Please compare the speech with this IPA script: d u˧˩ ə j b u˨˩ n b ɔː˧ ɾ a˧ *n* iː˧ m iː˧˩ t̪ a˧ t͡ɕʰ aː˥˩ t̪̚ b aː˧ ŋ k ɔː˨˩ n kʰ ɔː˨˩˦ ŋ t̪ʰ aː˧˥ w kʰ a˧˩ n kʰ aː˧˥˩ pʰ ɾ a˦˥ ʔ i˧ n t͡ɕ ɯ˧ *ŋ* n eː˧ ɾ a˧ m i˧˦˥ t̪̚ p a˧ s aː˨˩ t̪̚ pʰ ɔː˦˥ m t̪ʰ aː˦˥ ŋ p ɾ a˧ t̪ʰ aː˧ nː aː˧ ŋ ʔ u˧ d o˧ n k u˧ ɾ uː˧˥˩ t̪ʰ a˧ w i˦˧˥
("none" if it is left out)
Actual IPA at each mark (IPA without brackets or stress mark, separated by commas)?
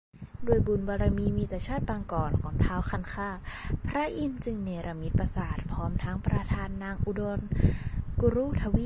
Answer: m, ŋ